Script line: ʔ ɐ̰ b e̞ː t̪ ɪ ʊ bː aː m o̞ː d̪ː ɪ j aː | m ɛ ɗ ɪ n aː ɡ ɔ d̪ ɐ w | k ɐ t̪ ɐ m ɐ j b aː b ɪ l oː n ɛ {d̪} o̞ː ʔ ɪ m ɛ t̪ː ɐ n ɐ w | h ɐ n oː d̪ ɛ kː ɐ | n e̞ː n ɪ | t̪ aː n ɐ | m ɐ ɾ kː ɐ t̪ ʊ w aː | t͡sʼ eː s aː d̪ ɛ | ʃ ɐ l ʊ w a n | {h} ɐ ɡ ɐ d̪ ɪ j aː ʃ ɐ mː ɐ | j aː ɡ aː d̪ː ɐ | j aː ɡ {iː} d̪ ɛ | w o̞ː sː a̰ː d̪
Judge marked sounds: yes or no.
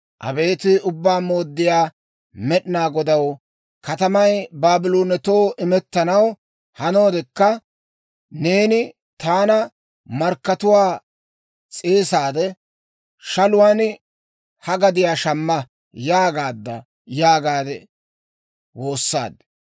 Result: no, yes, no

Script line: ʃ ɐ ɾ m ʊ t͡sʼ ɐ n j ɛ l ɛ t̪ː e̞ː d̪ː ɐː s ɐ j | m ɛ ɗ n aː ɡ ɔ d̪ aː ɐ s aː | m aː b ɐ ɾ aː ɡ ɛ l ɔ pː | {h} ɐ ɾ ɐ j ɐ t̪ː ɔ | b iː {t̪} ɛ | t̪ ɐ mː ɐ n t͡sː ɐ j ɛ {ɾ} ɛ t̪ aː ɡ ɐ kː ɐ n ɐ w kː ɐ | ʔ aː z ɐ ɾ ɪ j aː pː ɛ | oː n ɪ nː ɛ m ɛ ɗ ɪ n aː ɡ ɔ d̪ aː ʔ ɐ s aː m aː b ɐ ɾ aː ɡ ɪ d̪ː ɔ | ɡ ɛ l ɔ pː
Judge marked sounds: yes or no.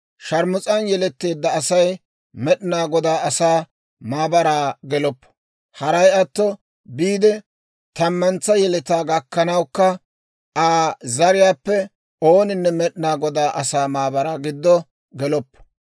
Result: yes, no, no

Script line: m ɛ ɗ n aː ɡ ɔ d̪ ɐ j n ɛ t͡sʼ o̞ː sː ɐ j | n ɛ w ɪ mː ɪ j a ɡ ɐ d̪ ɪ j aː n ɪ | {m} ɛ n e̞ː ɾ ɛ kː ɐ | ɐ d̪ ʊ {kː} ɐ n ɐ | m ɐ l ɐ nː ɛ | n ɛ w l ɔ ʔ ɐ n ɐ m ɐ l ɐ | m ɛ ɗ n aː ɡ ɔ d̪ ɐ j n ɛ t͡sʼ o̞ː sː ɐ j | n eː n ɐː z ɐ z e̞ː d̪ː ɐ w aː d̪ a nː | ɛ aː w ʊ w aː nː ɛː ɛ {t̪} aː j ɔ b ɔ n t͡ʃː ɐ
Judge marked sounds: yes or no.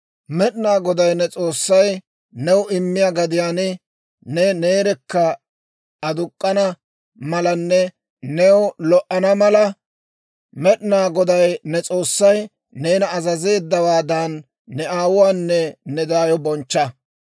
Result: no, no, no

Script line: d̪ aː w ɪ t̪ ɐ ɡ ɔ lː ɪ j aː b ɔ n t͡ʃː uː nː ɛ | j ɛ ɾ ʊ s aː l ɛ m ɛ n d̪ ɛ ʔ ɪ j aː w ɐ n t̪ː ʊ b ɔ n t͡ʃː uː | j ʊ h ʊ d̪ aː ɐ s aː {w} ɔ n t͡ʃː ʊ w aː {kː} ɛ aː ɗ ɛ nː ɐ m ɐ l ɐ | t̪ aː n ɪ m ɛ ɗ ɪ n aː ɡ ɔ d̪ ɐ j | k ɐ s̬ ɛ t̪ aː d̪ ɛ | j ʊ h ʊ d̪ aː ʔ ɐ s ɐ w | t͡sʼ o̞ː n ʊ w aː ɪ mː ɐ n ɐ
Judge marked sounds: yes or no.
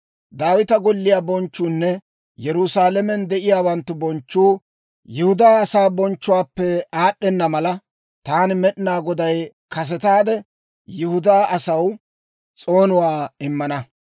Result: no, no

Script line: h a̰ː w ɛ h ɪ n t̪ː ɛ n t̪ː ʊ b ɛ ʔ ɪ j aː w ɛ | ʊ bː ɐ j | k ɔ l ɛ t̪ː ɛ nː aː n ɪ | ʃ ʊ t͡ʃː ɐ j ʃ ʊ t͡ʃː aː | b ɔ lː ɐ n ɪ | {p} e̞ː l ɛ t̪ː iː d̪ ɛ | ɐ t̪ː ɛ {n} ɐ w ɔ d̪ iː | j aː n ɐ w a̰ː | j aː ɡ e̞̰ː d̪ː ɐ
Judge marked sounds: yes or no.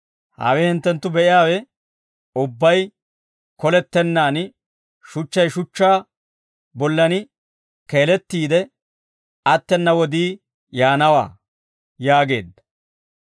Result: no, no

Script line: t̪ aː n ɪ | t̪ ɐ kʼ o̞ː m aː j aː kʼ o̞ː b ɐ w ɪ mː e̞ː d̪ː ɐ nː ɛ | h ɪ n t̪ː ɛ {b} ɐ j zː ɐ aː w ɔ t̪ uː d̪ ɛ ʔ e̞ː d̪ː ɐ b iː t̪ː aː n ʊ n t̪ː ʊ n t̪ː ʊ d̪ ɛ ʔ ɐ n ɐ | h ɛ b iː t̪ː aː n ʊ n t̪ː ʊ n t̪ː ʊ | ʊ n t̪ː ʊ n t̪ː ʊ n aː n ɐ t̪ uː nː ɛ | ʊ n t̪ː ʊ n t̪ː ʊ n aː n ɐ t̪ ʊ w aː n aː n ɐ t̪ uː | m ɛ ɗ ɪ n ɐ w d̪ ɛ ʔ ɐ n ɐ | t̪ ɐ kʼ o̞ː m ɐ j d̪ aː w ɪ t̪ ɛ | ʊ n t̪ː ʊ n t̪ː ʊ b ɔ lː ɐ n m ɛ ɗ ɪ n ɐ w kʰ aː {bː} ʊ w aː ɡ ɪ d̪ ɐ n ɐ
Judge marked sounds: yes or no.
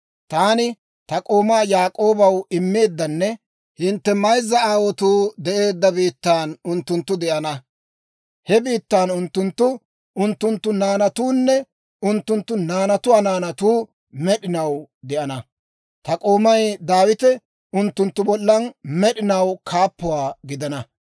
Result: no, no

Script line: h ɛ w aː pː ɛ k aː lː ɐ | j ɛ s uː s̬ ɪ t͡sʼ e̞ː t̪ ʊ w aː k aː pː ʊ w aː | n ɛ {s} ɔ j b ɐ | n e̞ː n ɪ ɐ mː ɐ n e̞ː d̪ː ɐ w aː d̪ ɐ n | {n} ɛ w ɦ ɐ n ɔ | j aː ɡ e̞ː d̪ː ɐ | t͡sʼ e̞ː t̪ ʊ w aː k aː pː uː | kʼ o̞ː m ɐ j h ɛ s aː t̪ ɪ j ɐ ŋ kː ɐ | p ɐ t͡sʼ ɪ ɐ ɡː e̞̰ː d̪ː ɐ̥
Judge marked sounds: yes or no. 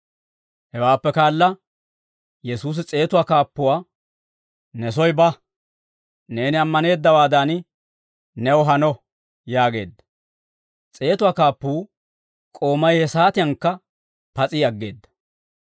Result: yes, yes

